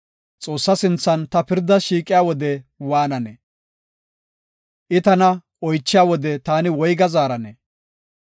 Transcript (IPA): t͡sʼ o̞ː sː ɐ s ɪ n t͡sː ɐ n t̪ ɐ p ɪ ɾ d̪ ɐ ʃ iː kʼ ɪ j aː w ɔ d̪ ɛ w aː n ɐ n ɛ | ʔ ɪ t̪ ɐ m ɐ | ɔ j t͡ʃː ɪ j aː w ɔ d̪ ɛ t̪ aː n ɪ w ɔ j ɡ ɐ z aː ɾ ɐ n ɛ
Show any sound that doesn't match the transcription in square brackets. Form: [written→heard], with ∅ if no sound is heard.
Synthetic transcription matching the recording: t͡sʼ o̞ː sː ɐ s ɪ n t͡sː ɐ n t̪ ɐ p ɪ ɾ d̪ ɐ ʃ iː kʼ ɪ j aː w ɔ d̪ ɛ w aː n ɐ n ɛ | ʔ ɪ t̪ ɐ [m→n] ɐ | ɔ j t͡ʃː ɪ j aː w ɔ d̪ ɛ t̪ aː n ɪ w ɔ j ɡ ɐ z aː ɾ ɐ n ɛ